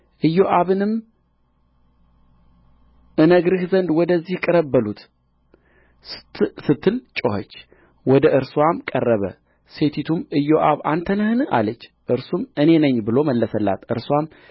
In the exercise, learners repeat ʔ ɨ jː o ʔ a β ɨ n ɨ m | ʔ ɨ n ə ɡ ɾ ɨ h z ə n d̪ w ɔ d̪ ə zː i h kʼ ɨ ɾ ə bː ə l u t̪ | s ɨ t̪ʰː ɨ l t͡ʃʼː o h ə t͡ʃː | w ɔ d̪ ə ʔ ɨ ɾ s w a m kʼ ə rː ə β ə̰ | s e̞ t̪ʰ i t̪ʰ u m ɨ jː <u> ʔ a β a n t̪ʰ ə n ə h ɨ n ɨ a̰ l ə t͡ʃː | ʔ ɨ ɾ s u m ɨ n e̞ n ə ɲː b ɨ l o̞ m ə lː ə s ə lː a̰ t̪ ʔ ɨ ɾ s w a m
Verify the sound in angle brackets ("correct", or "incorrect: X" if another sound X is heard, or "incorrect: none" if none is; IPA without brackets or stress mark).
incorrect: o